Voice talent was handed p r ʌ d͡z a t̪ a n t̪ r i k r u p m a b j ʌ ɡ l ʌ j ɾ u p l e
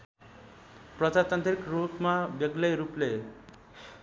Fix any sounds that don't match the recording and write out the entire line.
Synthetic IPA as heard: p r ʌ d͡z a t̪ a n t̪ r i k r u p m a b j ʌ ɡ l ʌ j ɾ u p l e